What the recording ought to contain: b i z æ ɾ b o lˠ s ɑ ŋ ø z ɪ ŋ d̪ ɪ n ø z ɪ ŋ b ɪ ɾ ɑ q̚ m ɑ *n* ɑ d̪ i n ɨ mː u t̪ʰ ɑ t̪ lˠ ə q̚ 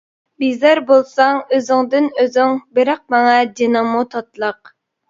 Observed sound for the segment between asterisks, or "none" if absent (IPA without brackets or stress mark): ŋ